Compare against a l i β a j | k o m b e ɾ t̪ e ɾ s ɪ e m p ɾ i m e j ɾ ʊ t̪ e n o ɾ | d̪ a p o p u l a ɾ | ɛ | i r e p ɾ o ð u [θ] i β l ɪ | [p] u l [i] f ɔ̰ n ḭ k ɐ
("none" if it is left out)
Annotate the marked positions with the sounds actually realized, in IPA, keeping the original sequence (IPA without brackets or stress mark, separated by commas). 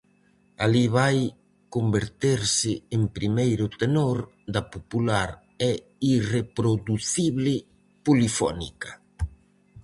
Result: θ, p, i